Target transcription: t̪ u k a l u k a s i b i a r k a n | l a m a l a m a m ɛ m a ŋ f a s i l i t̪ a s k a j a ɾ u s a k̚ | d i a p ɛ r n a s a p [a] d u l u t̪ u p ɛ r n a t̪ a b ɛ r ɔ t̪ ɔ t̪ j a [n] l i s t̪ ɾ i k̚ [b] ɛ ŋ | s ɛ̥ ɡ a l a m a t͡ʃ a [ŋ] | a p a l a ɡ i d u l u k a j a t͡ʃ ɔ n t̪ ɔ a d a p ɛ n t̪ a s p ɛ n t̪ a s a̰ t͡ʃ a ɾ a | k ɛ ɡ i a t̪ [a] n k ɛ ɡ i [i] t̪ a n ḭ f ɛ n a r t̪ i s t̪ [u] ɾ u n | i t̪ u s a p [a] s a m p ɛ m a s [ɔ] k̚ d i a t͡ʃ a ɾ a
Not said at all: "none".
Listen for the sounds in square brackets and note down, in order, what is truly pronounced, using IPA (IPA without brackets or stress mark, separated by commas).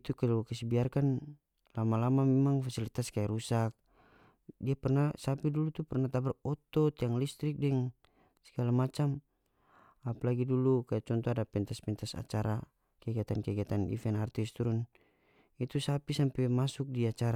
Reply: i, ŋ, d, m, a, a, u, i, u